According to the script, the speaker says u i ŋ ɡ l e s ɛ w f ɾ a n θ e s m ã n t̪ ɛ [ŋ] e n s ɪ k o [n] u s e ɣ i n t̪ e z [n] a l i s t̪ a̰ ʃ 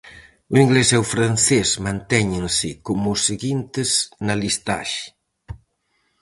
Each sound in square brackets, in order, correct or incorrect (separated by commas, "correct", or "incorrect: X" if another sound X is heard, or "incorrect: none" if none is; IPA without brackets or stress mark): incorrect: ɲ, incorrect: m, correct